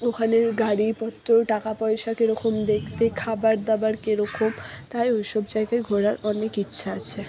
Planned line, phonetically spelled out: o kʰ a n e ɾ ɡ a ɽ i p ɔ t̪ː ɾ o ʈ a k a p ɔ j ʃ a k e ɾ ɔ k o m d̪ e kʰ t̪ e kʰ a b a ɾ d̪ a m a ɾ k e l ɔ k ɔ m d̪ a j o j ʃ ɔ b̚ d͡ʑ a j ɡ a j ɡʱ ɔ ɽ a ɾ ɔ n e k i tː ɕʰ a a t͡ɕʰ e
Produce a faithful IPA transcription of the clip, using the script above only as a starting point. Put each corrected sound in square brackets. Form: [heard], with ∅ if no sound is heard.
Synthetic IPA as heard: o kʰ a n e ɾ ɡ a ɽ i p ɔ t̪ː ɾ o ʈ a k a p ɔ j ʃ a k e ɾ ɔ k o m d̪ e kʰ t̪ e kʰ a b a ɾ d̪ a [b] a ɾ k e [ɾ] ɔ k [o] m [t̪] a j o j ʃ ɔ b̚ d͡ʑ a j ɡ a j ɡʱ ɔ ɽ a ɾ ɔ n e k i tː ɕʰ a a t͡ɕʰ e